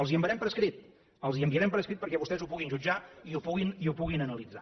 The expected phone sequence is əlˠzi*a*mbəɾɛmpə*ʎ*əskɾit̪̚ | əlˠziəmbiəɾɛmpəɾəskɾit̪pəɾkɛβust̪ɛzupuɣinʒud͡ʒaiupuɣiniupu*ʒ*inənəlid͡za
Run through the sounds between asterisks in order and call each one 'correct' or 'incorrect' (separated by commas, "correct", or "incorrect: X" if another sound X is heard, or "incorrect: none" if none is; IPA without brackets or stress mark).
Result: incorrect: ə, incorrect: ɾ, incorrect: ɣ